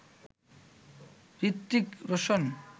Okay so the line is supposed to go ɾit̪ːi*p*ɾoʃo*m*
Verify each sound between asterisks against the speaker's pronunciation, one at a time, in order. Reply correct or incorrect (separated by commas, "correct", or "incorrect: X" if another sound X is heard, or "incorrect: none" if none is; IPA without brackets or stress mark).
incorrect: k, incorrect: n